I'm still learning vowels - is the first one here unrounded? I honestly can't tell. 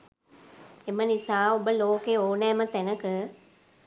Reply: yes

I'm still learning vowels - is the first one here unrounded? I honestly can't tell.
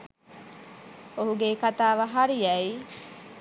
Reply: no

